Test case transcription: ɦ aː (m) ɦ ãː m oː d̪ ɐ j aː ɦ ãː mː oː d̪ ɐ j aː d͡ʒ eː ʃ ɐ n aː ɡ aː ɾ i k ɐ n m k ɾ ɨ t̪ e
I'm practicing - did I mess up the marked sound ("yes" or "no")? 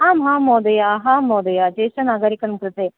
no